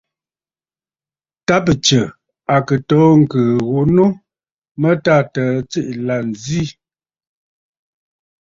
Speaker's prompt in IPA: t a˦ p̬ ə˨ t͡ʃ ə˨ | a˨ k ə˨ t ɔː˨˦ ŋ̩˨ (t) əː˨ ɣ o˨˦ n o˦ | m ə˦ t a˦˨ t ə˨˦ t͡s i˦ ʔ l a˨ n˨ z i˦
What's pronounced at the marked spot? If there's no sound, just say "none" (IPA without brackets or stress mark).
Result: k